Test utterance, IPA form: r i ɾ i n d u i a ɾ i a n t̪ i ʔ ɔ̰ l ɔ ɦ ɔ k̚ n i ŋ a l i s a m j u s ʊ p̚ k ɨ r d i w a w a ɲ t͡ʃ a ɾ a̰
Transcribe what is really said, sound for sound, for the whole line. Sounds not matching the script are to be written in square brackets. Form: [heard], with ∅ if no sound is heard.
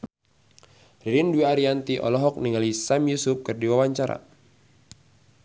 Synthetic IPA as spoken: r i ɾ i n d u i a ɾ i a n t̪ i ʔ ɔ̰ l ɔ ɦ ɔ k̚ n i ŋ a l i s a m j u s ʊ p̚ k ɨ r d i w a w a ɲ t͡ʃ a ɾ a̰

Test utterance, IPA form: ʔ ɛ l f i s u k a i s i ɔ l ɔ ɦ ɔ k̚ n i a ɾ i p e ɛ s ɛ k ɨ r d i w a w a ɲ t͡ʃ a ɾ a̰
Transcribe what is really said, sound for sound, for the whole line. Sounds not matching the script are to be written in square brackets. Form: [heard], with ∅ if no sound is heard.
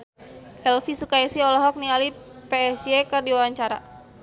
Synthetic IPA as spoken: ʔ ɛ l f i s u k a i s i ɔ l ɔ ɦ ɔ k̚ n i a [l] i p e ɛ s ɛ k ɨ r d i w a w a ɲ t͡ʃ a ɾ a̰

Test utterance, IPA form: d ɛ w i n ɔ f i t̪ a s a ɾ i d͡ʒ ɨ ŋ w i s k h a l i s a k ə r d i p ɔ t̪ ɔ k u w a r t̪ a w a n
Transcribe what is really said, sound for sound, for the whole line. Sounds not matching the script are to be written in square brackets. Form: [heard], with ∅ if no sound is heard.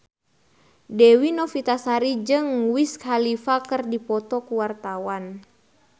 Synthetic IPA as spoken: d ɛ w i n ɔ f i t̪ a s a ɾ i d͡ʒ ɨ ŋ w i s k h a l i [f] a k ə r d i p ɔ t̪ ɔ k u w a r t̪ a w a n

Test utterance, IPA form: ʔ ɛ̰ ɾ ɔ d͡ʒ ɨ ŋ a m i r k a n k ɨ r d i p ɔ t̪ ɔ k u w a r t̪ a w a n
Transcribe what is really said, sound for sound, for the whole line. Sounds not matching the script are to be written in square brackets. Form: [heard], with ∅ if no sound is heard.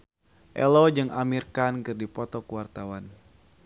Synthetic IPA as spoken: ʔ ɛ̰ [l] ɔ d͡ʒ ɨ ŋ a m i r k a n k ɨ r d i p ɔ t̪ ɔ k u w a r t̪ a w a n

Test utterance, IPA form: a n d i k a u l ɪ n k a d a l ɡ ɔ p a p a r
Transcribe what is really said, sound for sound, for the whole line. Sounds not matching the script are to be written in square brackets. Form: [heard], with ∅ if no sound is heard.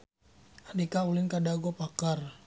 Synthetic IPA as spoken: a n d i k a u l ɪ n k a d a [∅] ɡ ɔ p a [k] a r

